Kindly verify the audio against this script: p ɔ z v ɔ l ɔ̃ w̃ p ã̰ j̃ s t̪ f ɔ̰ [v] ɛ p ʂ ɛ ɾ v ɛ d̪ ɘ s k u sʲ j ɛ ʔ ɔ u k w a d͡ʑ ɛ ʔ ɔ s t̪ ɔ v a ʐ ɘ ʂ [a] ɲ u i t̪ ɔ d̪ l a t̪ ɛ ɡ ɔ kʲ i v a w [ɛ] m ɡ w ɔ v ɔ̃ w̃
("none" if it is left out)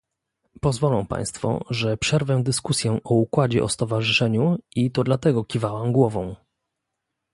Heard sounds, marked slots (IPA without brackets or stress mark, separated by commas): ʐ, ɛ, a